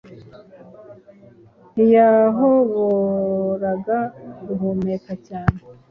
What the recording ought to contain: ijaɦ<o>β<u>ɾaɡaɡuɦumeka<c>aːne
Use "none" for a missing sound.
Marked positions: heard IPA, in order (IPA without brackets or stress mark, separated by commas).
o, o, c